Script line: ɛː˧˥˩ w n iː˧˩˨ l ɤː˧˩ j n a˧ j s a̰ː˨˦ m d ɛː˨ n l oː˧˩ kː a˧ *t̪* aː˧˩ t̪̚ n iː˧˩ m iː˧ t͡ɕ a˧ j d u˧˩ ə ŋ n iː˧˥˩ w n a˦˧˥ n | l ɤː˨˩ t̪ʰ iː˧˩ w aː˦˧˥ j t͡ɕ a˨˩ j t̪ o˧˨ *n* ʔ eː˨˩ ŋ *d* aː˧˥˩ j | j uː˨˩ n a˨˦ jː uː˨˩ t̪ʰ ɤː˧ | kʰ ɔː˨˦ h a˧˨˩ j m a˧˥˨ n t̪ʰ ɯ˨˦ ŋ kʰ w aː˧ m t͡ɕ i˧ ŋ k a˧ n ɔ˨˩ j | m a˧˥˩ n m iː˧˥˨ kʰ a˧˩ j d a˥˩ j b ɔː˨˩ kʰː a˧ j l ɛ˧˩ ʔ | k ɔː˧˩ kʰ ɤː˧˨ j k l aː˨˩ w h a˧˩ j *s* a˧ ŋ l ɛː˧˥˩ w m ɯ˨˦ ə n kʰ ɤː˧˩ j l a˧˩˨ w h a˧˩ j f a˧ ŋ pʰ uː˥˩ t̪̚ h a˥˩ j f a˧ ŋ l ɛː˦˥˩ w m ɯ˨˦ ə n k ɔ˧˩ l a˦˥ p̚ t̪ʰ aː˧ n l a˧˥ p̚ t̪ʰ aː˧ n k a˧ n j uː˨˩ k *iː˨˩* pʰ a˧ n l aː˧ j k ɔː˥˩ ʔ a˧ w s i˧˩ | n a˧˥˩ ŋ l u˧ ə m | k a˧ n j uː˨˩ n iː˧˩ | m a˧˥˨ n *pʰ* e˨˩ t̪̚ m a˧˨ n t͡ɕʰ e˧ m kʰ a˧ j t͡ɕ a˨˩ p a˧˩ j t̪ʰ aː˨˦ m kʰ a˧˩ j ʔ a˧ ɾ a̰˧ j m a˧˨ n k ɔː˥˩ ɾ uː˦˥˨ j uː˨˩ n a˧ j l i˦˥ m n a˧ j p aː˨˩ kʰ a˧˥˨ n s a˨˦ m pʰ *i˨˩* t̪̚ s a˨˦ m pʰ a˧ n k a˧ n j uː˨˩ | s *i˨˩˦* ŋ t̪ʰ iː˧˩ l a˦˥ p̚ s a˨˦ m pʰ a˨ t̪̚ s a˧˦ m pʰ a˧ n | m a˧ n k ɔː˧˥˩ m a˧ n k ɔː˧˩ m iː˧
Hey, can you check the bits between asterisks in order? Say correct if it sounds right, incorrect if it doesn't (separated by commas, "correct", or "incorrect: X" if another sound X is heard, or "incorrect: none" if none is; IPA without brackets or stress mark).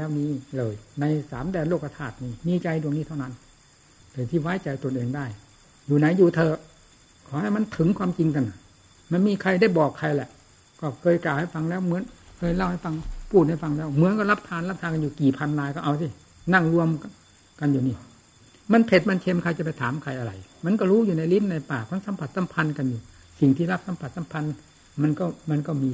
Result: incorrect: t̪ʰ, correct, correct, incorrect: f, correct, correct, incorrect: a˨˩, incorrect: i˨˩